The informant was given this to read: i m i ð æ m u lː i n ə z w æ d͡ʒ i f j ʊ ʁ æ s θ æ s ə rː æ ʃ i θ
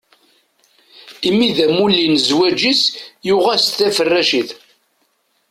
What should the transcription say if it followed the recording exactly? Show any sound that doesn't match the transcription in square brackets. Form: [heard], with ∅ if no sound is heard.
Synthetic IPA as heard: i m i ð æ m u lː i n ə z w æ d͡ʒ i [s] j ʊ ʁ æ s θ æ [f] ə rː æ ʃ i θ